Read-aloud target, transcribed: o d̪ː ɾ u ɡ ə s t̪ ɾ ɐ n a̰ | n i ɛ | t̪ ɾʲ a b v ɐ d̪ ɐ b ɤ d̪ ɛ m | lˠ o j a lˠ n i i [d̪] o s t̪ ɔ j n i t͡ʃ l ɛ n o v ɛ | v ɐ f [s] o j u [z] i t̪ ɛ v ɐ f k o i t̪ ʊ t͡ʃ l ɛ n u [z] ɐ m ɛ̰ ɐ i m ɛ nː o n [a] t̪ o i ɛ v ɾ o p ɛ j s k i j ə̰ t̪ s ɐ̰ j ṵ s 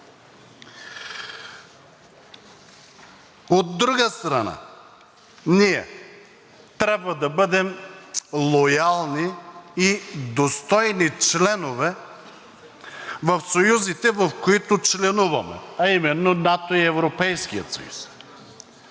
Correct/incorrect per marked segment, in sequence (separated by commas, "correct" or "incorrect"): correct, correct, correct, incorrect, correct